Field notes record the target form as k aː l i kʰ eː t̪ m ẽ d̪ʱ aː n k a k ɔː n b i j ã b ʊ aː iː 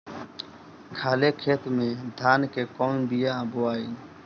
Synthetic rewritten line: kʰ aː l e kʰ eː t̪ m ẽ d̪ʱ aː n k e k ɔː n b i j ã b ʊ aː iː